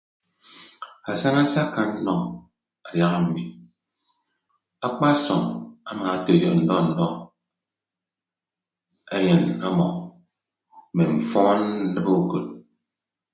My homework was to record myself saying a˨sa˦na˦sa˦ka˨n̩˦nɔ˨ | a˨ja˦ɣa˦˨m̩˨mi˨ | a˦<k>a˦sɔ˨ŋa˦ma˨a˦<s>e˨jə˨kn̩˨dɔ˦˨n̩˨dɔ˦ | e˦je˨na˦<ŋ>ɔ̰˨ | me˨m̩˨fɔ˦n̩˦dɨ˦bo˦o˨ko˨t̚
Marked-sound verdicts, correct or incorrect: incorrect: k͡p, incorrect: t, incorrect: m

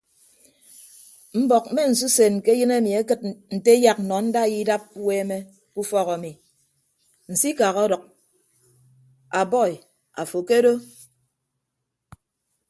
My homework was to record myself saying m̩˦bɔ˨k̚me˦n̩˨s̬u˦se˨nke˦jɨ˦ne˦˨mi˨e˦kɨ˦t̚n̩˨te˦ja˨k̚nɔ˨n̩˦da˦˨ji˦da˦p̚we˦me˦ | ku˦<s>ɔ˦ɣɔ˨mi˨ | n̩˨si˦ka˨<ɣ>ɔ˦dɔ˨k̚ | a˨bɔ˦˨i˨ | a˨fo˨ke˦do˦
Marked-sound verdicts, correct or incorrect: incorrect: f, correct

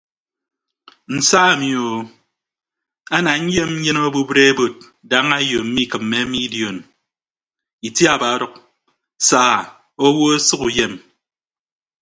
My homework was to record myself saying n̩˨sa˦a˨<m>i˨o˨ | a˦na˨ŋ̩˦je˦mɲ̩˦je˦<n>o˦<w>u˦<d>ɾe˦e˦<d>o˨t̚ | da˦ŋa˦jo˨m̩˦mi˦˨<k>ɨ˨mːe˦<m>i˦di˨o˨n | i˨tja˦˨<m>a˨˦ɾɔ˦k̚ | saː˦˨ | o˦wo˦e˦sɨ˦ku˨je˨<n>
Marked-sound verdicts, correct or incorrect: correct, correct, incorrect: b, incorrect: b, incorrect: b, correct, correct, incorrect: b, incorrect: m

